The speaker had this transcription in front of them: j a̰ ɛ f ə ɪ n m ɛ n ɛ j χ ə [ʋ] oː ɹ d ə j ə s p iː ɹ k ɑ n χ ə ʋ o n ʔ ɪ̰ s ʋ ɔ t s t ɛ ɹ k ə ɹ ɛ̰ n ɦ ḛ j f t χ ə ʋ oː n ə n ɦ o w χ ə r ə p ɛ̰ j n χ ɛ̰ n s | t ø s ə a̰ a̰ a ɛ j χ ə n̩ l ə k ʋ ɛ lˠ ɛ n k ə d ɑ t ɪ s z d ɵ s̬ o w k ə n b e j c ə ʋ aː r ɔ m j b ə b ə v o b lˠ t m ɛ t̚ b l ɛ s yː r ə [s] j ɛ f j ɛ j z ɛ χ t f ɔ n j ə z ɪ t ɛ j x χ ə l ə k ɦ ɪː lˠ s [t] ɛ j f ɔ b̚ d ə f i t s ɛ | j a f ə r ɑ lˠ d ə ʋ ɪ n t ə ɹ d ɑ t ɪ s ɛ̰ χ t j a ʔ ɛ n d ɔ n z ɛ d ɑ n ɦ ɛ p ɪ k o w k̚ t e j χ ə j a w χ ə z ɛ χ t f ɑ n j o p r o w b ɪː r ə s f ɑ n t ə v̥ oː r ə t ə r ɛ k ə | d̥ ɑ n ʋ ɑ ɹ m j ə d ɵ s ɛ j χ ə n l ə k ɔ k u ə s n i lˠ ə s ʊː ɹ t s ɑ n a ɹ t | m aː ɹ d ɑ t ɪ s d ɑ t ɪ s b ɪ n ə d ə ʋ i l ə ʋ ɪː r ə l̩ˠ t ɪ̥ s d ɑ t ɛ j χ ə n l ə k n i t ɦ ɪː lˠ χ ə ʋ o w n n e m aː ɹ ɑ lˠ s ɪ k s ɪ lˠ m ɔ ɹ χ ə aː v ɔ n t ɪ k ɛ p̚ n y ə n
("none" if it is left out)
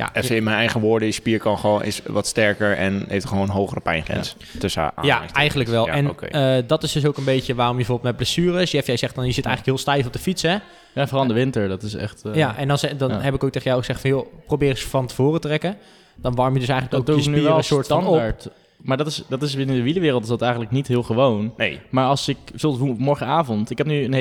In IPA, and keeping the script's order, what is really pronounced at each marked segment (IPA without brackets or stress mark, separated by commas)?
ʋ, s, t